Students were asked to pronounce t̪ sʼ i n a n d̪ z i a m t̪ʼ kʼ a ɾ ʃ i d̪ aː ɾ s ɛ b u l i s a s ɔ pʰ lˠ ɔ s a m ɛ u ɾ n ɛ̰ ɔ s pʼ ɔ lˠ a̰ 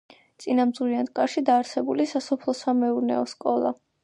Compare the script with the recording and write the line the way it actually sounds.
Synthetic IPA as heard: t̪ sʼ i n a m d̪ z i a n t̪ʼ kʼ a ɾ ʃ i d̪ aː ɾ s ɛ b u l i s a s ɔ pʰ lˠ ɔ s a m ɛ u ɾ n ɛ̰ ɔ s kʼ ɔ lˠ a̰